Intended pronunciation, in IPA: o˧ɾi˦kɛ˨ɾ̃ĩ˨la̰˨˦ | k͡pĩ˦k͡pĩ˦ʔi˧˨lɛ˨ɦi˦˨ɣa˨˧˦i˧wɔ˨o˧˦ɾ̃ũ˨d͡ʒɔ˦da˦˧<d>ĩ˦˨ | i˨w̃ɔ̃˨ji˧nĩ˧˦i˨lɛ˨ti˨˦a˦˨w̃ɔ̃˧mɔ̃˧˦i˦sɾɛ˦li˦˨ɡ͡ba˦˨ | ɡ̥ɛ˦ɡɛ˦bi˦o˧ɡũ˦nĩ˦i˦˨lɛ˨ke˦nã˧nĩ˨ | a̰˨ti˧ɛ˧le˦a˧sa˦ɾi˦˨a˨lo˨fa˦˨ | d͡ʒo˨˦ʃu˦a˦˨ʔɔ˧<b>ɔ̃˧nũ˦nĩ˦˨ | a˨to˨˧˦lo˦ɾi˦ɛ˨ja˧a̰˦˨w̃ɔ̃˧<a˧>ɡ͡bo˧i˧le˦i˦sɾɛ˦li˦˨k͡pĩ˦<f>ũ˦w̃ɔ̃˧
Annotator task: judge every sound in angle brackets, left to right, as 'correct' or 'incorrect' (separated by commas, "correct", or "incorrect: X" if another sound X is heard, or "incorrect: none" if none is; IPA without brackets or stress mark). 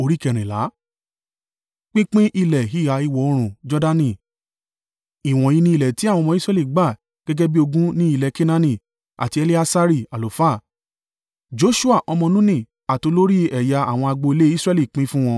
incorrect: n, incorrect: m, correct, correct